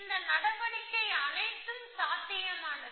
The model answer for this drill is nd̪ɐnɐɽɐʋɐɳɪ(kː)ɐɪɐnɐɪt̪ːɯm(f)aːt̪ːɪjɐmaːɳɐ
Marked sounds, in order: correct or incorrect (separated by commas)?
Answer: correct, incorrect